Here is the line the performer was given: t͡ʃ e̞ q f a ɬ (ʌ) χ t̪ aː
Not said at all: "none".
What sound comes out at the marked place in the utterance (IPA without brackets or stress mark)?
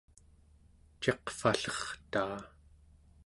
ʌ